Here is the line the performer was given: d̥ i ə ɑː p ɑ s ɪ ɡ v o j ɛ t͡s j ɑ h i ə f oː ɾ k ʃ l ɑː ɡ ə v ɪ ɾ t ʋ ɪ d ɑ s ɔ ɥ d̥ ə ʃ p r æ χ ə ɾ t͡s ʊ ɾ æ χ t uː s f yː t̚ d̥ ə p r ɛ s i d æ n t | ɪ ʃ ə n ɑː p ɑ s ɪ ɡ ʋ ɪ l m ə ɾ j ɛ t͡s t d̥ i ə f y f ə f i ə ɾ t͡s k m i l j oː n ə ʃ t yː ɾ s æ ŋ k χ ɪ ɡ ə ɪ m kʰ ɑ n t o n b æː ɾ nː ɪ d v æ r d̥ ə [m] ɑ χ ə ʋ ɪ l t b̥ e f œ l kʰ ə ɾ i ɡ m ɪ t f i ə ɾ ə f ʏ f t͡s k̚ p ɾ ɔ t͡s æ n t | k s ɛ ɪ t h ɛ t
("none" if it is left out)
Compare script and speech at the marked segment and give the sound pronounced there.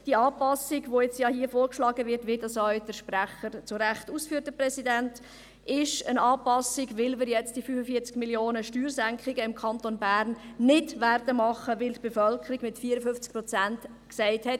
m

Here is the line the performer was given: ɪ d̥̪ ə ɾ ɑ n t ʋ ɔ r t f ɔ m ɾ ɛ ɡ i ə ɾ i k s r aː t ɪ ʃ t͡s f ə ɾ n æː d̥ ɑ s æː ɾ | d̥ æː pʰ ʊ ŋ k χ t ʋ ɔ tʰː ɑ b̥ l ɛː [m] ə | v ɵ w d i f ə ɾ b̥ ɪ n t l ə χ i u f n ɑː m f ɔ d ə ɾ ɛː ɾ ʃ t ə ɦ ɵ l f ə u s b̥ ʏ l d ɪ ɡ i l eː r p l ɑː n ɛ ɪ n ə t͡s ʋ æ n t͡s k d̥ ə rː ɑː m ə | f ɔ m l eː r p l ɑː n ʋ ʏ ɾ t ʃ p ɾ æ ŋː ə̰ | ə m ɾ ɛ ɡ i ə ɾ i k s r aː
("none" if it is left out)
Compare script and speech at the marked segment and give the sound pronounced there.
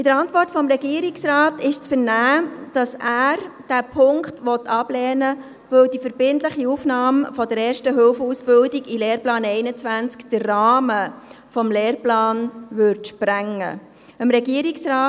n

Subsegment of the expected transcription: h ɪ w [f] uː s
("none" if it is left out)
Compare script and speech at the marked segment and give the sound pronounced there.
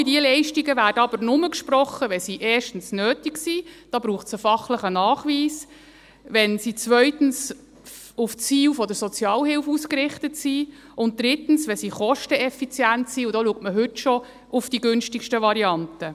f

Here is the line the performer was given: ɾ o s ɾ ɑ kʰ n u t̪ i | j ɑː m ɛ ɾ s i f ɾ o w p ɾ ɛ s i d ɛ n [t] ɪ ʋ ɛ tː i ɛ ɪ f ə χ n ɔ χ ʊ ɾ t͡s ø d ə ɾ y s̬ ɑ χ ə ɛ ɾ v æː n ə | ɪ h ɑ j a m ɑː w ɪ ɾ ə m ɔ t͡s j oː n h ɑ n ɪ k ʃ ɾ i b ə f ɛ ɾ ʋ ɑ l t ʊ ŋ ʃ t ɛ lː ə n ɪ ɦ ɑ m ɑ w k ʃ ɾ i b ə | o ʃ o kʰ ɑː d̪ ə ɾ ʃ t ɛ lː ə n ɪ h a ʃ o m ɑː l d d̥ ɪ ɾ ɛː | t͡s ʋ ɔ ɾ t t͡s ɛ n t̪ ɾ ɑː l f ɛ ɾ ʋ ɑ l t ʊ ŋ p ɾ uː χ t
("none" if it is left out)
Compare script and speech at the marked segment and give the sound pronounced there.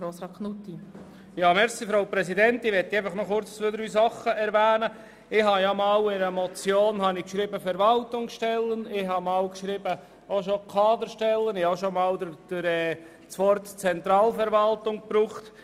t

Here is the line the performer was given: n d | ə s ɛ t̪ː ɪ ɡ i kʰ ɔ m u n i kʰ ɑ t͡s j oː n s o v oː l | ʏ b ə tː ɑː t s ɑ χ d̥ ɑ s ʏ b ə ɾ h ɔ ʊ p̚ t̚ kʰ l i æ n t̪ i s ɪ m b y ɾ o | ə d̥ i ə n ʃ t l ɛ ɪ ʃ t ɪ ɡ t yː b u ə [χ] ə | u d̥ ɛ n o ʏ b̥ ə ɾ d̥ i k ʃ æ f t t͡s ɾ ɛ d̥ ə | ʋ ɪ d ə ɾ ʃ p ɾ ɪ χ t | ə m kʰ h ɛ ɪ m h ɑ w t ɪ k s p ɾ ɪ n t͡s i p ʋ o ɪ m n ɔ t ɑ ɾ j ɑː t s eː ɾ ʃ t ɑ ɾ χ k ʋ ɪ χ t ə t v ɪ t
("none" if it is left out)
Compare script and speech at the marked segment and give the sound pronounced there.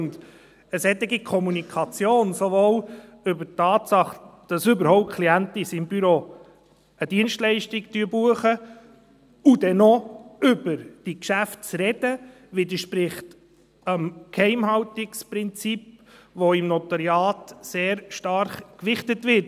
χ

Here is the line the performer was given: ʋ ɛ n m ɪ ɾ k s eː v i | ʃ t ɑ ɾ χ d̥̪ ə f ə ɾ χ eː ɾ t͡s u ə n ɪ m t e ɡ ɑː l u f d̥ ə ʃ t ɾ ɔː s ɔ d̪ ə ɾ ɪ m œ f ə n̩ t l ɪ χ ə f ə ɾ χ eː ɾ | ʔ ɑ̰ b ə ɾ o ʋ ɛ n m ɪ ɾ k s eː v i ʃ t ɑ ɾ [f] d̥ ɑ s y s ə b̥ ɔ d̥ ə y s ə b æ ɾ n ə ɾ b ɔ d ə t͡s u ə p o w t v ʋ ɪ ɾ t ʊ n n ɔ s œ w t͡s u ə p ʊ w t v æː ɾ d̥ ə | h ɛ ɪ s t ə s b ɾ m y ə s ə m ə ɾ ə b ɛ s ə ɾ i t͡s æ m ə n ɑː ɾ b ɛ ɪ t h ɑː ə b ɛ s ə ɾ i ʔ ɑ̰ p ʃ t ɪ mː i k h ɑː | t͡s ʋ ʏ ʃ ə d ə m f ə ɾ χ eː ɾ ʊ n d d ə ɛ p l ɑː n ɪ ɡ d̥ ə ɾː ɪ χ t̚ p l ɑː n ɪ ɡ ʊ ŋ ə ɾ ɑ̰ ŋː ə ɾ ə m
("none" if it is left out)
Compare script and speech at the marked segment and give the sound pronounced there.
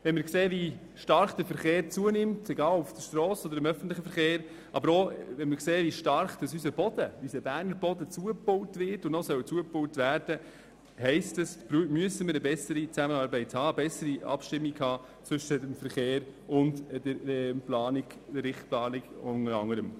χ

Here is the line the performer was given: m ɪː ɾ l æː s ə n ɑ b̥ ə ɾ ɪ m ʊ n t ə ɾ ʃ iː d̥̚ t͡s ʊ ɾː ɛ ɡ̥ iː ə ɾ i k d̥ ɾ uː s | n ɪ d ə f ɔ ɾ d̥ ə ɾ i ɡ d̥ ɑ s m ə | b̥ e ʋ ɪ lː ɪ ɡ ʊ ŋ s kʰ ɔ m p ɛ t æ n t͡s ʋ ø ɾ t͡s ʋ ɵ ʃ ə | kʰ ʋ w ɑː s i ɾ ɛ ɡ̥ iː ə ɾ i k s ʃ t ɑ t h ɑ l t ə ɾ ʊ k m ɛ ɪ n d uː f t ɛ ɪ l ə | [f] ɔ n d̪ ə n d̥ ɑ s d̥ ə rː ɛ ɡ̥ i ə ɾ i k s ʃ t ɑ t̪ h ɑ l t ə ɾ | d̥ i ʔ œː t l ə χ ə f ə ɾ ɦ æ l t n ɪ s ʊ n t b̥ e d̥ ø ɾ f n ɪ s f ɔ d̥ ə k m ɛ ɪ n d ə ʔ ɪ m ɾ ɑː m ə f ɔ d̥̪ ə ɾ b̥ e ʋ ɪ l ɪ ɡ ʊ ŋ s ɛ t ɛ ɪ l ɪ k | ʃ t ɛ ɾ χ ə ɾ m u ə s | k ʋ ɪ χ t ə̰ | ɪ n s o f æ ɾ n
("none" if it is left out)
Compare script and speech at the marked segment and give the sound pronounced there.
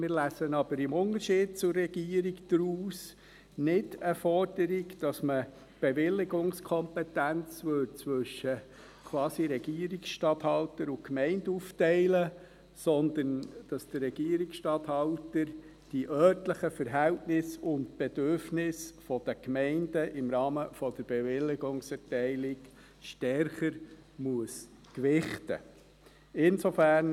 s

